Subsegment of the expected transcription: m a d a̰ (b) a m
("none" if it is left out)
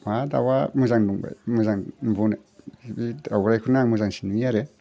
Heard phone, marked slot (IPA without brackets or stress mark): w